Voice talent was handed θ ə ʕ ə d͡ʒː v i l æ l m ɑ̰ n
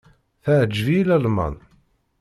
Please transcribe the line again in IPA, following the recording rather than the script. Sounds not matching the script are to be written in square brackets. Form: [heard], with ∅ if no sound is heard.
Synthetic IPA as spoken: θ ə ʕ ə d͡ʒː v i l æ l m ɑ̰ n